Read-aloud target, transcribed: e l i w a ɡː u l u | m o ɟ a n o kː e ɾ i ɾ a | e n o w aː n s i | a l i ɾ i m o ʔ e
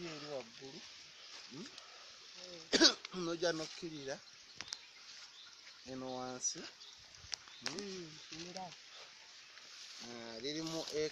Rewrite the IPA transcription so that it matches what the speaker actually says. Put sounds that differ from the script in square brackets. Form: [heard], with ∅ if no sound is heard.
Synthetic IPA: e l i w a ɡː u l u | [n] o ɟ a n o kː [i] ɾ i ɾ a | e n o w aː n s i | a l i ɾ i m [u] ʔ e